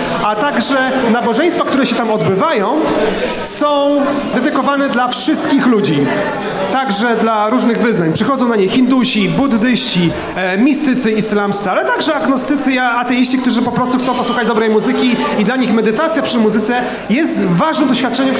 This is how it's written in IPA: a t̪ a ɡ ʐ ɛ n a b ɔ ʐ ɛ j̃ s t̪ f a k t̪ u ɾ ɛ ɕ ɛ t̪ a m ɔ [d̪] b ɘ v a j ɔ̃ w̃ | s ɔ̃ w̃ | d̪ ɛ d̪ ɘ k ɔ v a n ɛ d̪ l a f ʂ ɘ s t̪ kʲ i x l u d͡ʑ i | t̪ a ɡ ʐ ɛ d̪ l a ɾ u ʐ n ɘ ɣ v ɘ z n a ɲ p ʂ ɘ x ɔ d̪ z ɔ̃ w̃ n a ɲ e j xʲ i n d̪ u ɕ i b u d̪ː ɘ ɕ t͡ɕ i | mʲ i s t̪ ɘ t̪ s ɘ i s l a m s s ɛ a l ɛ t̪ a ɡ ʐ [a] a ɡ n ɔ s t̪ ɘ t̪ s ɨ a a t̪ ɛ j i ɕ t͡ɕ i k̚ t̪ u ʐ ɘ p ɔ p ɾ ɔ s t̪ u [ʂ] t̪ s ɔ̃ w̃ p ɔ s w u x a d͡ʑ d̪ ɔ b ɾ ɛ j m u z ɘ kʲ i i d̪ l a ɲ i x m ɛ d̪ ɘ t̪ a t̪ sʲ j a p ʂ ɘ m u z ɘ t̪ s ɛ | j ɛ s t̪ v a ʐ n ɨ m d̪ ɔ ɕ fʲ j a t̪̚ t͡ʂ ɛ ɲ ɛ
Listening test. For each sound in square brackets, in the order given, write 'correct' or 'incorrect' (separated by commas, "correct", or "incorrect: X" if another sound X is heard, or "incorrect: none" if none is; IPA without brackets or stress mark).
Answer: correct, incorrect: ɛ, incorrect: x